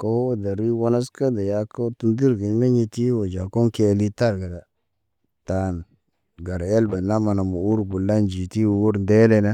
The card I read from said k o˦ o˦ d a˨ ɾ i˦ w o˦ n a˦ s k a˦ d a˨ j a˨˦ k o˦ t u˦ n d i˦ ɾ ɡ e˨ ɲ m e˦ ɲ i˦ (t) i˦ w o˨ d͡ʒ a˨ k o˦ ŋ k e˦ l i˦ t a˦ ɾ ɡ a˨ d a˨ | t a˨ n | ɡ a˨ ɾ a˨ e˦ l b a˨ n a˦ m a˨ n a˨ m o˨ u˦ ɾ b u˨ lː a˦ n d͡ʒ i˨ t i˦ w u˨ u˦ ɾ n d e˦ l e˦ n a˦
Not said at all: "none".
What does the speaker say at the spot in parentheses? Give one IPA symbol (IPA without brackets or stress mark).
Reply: t